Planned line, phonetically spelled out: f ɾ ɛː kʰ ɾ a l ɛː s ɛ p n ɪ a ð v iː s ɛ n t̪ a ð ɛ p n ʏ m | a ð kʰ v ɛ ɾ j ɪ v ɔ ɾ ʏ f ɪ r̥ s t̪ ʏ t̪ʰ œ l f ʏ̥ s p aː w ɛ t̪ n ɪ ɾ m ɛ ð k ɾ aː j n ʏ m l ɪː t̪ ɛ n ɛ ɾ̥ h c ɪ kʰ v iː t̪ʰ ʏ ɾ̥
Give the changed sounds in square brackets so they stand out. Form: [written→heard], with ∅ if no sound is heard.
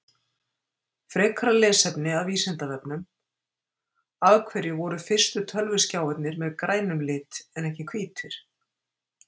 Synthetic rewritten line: f ɾ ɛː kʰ ɾ a l ɛː s ɛ p n ɪ a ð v iː s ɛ n t̪ a [ð→v] ɛ p n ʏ m | a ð kʰ v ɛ ɾ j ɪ v ɔ ɾ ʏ f ɪ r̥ s t̪ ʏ t̪ʰ œ l [f→v] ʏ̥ s [p→c] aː w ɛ t̪ n ɪ ɾ m ɛ ð k ɾ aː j n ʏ m l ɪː t̪ ɛ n ɛ [ɾ̥→∅] h c ɪ kʰ v iː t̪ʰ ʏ ɾ̥